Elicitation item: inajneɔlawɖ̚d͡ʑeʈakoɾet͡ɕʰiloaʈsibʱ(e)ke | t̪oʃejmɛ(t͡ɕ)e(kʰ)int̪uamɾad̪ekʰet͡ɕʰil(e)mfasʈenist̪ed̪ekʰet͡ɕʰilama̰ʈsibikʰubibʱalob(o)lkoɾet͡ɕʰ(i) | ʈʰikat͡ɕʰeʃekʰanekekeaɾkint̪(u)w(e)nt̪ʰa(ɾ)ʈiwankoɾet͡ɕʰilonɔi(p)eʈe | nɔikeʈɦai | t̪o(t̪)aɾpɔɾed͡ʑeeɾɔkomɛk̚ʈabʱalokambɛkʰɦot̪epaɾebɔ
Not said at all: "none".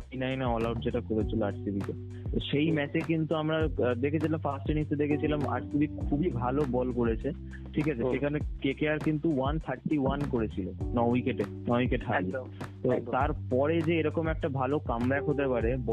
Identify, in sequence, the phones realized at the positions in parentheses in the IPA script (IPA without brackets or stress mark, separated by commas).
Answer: i, t͡ɕ, k, a, ɔ, e, u, a, ɾ, k, t̪